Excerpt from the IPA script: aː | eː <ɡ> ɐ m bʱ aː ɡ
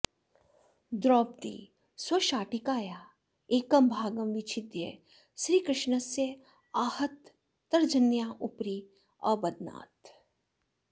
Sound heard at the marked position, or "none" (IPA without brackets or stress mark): k